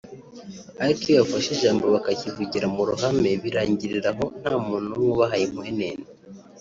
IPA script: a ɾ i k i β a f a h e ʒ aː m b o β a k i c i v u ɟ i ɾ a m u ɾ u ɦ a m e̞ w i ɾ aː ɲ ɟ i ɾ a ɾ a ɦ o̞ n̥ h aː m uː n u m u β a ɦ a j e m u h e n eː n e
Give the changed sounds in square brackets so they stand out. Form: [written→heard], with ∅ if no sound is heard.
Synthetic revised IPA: a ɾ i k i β a f a [h→ʃ] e ʒ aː m b o β a k [i→a] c i v u ɟ i ɾ a m u ɾ u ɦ a m e̞ [w→β] i ɾ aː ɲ ɟ i ɾ [a→i] ɾ a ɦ o̞ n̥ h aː m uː n u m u β a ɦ a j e m u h e n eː n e